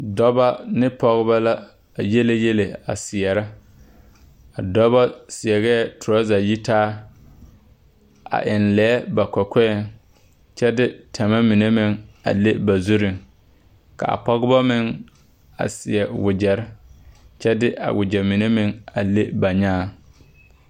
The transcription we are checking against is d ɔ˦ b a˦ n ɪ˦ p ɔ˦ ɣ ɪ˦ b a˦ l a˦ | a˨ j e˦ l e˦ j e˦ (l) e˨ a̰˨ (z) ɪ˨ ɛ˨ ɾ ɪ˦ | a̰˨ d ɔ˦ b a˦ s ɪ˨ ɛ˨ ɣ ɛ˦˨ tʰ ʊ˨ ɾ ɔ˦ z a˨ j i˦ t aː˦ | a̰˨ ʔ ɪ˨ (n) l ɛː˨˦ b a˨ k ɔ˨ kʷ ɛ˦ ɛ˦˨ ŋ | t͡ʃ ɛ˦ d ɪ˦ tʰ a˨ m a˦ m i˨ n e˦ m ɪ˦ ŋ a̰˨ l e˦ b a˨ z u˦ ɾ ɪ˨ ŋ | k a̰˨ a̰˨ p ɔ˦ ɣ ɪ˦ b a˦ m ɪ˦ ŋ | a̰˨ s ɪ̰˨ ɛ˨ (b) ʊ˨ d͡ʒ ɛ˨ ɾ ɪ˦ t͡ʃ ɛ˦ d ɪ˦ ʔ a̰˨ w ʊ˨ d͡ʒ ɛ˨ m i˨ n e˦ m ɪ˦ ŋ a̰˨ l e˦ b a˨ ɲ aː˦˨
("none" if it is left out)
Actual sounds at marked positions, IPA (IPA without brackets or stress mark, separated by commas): l, s, n, w